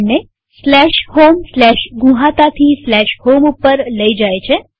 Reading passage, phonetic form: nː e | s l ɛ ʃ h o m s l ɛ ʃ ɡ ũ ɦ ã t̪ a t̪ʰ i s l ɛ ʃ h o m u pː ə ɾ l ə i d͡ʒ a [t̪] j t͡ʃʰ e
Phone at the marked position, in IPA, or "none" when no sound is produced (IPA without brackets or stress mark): none